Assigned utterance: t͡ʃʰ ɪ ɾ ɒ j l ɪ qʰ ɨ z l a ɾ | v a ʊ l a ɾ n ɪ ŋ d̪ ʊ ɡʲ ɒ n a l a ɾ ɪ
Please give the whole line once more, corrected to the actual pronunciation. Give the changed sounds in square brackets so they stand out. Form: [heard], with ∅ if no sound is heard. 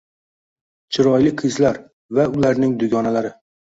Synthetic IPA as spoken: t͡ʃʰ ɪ ɾ ɒ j l ɪ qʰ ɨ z l a ɾ | v a ʊ l a ɾ n ɪ ŋ d̪ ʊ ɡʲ ɒ n a l a ɾ ɪ